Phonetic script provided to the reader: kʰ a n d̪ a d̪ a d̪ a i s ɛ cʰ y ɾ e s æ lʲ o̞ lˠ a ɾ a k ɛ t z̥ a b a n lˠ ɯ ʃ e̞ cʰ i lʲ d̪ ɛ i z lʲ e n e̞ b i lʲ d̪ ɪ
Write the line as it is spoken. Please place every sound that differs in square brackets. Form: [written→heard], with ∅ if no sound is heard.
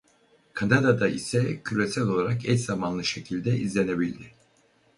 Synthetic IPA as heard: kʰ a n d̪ a d̪ a d̪ a i s ɛ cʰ y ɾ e s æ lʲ o̞ lˠ a ɾ a k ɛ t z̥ a [b→m] a n lˠ ɯ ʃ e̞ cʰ i lʲ d̪ ɛ i z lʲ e n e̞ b i lʲ d̪ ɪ